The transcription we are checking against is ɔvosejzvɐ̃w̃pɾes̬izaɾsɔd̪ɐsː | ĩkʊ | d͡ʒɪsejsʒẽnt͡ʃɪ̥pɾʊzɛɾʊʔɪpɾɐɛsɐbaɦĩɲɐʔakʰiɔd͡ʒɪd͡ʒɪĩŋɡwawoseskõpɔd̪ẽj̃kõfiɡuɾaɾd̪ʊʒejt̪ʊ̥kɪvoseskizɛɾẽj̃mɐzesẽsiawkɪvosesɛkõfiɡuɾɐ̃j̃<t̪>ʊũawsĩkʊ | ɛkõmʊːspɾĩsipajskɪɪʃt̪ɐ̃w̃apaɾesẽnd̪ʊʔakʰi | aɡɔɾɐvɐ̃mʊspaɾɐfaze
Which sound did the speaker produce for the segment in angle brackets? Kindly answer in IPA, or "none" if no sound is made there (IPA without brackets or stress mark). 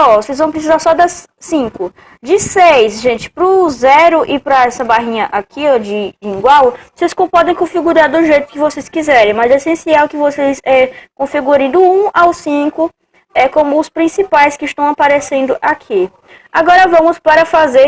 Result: d̪